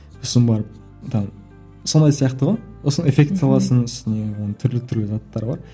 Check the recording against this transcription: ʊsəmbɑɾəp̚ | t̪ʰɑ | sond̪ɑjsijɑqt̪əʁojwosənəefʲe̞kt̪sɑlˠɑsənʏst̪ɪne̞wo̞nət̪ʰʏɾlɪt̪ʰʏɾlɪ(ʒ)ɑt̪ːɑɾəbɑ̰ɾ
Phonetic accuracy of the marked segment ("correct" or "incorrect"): incorrect